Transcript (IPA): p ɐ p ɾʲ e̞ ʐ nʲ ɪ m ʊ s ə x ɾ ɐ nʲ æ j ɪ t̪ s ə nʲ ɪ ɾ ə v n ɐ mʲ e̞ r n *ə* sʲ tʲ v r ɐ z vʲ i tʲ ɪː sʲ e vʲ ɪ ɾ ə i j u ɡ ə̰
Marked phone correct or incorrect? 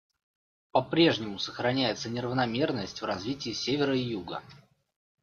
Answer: correct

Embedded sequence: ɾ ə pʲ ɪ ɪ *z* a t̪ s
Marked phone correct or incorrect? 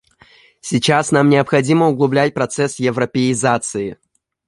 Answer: correct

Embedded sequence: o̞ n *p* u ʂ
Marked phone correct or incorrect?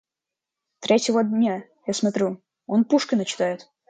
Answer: correct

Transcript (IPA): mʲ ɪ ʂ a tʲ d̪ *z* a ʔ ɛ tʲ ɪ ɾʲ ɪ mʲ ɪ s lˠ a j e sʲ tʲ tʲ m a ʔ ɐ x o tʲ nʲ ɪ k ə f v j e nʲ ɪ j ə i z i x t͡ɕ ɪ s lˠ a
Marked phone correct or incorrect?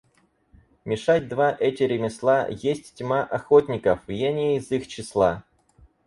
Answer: incorrect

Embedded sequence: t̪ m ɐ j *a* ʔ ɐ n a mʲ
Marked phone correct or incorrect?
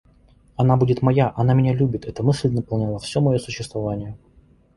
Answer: correct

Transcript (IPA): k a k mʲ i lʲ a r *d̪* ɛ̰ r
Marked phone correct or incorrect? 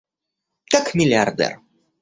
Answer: correct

